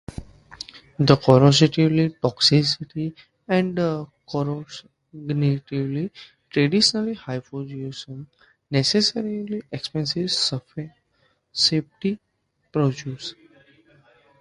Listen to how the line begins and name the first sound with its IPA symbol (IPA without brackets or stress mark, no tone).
d̪